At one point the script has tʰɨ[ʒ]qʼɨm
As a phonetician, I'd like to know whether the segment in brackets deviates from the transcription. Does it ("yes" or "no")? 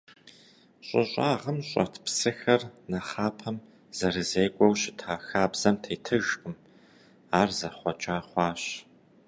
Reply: no